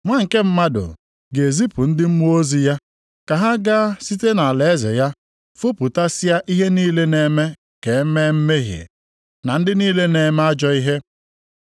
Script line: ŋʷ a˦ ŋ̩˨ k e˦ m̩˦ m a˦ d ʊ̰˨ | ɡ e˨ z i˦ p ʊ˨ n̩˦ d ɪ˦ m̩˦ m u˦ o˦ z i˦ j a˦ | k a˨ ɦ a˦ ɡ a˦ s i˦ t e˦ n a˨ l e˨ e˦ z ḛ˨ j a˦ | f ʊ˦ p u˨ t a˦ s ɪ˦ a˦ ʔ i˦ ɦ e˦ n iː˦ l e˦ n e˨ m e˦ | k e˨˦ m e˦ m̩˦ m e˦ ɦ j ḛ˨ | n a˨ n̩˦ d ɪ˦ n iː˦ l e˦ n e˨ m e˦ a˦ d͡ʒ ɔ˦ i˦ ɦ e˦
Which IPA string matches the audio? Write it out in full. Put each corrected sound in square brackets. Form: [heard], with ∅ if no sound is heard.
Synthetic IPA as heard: ŋʷ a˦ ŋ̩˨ k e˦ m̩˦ m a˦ d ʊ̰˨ | ɡ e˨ z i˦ p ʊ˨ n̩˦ d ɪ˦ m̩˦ m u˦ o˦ z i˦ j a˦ | k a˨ ɦ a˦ ɡ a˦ s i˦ t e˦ n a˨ l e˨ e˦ z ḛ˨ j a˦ | f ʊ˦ p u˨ t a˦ s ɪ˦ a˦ ʔ i˦ ɦ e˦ n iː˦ l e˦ n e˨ m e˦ | k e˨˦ m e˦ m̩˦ m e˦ ɦ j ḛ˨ | n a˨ n̩˦ d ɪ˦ n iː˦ l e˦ n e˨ m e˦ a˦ d͡ʒ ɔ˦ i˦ ɦ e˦